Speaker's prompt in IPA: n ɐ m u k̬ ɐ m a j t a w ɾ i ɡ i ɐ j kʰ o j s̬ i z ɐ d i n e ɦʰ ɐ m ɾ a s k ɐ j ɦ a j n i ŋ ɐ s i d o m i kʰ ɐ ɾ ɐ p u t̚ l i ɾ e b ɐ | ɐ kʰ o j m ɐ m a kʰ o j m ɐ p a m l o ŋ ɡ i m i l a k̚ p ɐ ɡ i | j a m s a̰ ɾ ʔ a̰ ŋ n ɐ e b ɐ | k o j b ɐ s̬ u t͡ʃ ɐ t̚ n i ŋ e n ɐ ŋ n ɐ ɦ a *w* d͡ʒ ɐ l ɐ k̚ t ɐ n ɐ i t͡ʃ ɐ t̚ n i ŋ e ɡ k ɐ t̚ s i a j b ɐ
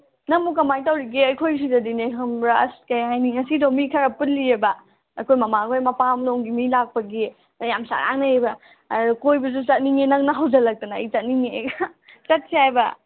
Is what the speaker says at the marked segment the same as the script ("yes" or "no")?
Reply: yes